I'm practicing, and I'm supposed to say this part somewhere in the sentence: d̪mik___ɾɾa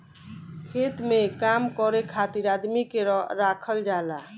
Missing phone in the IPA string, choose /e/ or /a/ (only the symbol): e